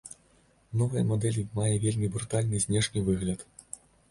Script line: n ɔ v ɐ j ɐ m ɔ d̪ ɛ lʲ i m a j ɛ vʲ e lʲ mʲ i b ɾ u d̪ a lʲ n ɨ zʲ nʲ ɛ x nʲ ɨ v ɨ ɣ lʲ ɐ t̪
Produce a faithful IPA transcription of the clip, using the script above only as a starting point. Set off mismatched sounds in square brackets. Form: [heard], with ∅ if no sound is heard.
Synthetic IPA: n ɔ v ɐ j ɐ m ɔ d̪ ɛ lʲ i m a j ɛ vʲ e lʲ mʲ i b ɾ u [t̪] a lʲ n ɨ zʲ nʲ ɛ [ʂ] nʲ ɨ v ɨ ɣ lʲ ɐ t̪